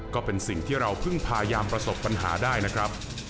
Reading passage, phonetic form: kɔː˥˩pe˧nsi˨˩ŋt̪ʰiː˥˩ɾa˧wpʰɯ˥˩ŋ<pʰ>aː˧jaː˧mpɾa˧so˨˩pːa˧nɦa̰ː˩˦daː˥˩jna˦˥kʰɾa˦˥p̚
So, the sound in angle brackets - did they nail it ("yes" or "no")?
yes